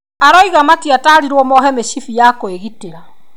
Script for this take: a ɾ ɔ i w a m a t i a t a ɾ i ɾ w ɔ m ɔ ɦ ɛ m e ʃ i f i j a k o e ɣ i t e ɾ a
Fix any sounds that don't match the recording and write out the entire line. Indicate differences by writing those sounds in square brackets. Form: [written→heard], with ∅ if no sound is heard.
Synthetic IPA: a ɾ ɔ i [w→ɣ] a m a t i a t a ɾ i ɾ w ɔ m ɔ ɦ ɛ m e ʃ i f i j a k o e ɣ i t e ɾ a